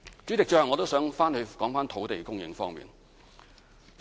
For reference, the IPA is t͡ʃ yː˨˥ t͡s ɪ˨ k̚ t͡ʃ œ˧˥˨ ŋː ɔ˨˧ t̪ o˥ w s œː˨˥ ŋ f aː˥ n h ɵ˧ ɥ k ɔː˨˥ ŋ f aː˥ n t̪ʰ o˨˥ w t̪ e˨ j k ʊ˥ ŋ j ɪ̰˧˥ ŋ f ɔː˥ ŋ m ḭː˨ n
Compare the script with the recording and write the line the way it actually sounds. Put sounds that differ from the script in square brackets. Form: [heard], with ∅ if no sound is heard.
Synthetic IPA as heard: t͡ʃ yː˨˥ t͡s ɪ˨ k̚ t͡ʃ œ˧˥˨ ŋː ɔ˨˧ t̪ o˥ w s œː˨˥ ŋ f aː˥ n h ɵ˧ ɥ k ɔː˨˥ ŋ f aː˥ n t̪ʰ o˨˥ w t̪ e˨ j k ʊ˥ ŋ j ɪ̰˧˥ ŋ f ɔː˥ ŋ m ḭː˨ n